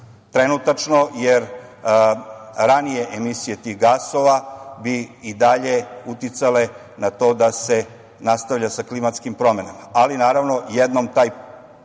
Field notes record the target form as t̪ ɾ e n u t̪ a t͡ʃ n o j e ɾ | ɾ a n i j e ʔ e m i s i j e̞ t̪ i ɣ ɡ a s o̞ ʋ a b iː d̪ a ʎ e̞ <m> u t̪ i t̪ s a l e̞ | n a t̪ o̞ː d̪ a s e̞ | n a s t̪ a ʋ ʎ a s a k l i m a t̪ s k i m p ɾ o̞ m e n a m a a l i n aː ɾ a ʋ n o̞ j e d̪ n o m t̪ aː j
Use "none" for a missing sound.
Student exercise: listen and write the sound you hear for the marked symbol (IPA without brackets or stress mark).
none